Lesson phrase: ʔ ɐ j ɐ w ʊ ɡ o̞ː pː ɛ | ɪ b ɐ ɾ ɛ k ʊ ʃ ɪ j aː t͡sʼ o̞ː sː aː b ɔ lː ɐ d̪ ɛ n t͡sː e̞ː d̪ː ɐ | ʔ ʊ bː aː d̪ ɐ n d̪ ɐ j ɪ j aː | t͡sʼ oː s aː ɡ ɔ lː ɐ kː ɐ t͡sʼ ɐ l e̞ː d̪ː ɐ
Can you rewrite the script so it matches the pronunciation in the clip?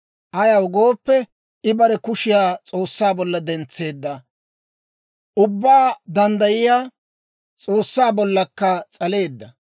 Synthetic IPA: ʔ ɐ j ɐ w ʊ ɡ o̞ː pː ɛ | ɪ b ɐ ɾ ɛ k ʊ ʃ ɪ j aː t͡sʼ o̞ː sː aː b ɔ lː ɐ d̪ ɛ n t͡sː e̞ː d̪ː ɐ | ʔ ʊ bː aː d̪ ɐ n d̪ ɐ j ɪ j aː | t͡sʼ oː sː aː b ɔ lː ɐ kː ɐ t͡sʼ ɐ l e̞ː d̪ː ɐ